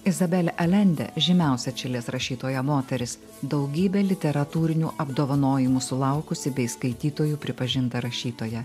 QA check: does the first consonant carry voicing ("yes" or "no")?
yes